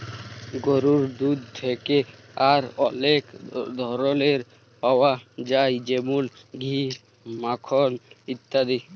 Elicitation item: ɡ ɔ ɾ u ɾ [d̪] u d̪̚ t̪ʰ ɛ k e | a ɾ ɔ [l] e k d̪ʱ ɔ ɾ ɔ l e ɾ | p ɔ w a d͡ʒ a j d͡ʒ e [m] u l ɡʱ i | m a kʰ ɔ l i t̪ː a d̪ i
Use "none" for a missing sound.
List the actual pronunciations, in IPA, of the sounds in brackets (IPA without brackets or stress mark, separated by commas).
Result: d̪, l, m